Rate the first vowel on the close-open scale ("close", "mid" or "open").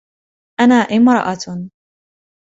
open